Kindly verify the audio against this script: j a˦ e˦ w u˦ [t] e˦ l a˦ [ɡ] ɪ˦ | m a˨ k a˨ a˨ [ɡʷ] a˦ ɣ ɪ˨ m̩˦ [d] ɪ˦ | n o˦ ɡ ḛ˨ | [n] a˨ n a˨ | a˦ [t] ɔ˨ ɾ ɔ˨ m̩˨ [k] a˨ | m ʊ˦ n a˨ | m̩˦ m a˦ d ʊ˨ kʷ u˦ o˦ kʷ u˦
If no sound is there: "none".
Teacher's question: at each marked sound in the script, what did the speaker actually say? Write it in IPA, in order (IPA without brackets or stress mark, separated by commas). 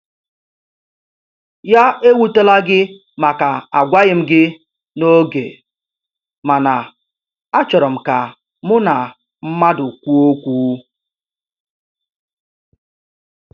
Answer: t, ɡ, ɡʷ, ɡ, m, t͡ʃ, k